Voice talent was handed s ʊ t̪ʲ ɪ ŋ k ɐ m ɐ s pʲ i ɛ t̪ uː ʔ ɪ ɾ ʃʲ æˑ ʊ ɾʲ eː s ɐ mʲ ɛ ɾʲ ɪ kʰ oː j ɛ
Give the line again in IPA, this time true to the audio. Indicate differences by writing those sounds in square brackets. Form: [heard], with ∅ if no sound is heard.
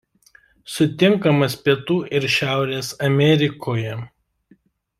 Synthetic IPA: s ʊ t̪ʲ ɪ ŋ k ɐ m ɐ s pʲ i ɛ t̪ uː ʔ ɪ ɾ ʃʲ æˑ ʊ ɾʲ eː s ɐ mʲ ɛ ɾʲ ɪ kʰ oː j ɛ